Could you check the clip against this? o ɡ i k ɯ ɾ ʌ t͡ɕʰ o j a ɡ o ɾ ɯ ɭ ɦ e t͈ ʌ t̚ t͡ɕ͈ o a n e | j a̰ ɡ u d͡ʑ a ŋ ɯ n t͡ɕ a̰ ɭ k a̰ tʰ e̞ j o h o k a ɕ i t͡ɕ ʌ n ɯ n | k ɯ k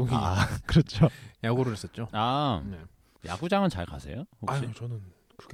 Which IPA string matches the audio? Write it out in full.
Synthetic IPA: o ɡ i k ɯ ɾ ʌ t͡ɕʰ o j a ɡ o ɾ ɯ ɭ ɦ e s͈ ʌ t̚ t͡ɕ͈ o a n e | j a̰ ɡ u d͡ʑ a ŋ ɯ n t͡ɕ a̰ ɭ k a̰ sʰ e̞ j o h o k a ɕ i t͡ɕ ʌ n ɯ n | k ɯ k